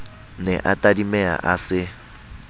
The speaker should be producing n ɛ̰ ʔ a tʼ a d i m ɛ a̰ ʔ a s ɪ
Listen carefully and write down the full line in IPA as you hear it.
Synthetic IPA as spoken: n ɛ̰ ʔ a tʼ a d i m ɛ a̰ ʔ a s ɪ